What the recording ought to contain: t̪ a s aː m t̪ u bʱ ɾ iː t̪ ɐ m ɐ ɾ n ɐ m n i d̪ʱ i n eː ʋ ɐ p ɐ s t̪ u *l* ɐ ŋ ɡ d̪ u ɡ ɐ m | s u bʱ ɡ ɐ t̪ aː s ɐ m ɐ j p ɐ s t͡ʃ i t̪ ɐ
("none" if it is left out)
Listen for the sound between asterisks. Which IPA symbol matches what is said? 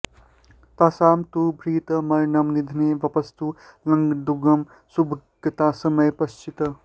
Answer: l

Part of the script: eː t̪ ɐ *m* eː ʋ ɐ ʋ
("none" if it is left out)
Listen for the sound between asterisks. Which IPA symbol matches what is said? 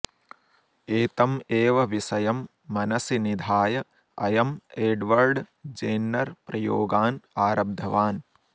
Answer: m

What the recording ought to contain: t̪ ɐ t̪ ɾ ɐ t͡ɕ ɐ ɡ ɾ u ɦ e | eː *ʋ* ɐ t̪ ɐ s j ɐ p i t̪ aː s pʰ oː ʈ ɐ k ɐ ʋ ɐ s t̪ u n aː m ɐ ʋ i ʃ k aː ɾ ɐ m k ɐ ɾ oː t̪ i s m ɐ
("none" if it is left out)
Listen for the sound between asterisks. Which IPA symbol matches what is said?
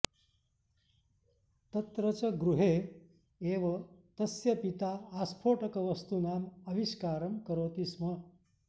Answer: ʋ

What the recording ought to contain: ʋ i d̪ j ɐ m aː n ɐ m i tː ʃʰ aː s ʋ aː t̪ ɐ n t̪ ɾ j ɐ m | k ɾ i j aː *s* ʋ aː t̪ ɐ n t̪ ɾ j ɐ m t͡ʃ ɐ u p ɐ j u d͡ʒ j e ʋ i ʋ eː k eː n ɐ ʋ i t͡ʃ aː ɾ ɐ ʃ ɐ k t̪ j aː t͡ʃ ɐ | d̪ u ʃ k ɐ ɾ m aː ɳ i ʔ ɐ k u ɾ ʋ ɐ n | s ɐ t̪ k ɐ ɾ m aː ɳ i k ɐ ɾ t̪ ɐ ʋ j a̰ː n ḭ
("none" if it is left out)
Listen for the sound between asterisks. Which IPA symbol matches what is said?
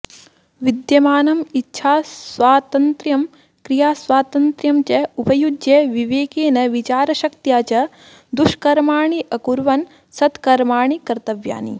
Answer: s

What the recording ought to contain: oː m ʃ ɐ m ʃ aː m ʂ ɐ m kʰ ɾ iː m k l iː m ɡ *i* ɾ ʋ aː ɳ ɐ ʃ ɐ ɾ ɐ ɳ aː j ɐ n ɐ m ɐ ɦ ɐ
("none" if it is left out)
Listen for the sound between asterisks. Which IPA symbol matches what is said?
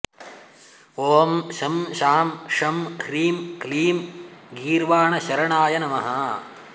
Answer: iː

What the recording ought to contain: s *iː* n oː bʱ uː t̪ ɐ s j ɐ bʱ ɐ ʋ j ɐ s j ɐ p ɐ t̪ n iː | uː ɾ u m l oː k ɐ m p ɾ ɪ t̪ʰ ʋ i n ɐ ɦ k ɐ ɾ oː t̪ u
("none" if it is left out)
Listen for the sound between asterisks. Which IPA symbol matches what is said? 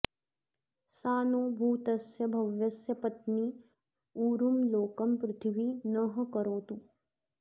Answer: aː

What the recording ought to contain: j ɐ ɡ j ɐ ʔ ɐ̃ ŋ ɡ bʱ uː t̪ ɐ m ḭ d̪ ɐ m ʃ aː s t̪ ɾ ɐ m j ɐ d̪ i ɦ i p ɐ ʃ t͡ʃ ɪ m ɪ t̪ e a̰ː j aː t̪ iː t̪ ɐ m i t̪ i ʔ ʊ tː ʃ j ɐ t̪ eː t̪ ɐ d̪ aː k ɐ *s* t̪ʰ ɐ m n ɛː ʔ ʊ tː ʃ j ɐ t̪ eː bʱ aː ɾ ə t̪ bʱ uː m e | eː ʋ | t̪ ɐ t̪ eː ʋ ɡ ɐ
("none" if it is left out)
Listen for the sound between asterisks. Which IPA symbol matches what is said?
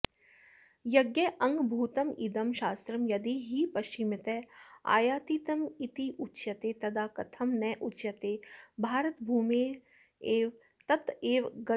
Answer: none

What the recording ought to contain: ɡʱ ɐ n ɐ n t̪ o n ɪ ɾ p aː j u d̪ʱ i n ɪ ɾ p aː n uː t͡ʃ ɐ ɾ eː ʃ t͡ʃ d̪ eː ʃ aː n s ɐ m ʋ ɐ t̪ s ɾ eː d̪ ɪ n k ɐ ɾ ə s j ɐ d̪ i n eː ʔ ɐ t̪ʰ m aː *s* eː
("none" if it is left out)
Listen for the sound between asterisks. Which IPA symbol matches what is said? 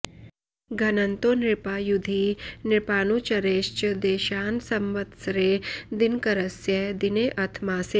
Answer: s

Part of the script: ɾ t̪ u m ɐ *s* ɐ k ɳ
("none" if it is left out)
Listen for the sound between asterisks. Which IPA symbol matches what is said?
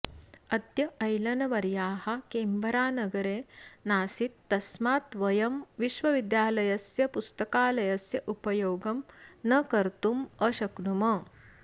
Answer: ʃ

